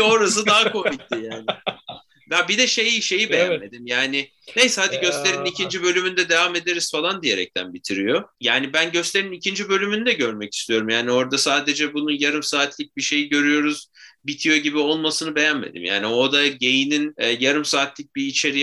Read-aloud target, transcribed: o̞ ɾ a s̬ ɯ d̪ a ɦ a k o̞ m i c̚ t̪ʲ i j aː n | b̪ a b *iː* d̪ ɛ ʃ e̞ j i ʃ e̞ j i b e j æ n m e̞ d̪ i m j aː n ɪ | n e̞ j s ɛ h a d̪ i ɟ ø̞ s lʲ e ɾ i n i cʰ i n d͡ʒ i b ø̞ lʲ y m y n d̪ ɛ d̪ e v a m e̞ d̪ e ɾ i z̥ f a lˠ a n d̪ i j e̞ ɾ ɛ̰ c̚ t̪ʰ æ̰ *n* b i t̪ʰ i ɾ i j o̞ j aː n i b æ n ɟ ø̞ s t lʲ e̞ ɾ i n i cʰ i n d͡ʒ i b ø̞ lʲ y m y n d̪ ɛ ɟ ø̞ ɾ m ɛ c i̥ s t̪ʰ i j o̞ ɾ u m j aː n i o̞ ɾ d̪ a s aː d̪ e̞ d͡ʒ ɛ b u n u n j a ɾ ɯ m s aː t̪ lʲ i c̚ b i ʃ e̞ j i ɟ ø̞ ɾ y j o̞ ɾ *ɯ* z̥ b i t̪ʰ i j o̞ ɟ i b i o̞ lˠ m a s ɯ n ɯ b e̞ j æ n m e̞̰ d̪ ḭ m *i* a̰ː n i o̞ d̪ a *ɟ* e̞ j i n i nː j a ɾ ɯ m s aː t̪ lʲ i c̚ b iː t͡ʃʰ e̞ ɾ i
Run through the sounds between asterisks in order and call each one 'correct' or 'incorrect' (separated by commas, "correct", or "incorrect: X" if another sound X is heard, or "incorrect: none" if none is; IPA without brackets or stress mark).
incorrect: i, correct, incorrect: u, incorrect: j, correct